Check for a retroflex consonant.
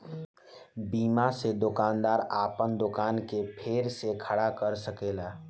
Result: present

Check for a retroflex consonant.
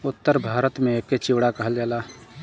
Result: present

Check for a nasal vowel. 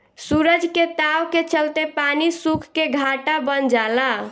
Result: absent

